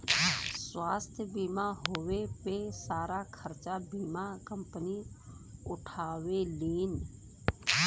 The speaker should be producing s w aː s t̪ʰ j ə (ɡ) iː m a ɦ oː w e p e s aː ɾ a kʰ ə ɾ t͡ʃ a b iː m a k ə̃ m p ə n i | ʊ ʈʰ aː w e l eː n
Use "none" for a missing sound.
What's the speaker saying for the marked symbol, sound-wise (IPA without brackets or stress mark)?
b